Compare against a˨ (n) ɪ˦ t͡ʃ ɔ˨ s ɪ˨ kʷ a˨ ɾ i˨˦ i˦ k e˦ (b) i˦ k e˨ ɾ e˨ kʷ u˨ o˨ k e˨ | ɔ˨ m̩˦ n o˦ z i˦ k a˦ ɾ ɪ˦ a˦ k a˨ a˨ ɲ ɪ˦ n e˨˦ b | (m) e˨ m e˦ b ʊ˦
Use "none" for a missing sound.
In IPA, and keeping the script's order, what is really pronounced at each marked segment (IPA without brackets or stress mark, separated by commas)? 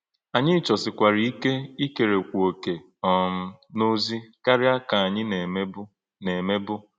ɲ, none, n